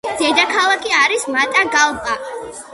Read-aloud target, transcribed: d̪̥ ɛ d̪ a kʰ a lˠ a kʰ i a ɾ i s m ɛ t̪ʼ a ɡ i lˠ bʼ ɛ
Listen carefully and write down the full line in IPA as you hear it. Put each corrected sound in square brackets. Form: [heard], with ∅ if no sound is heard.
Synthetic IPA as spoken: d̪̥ ɛ d̪ a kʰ a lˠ a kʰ i a ɾ i s m [a] t̪ʼ a ɡ [a] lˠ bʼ [a]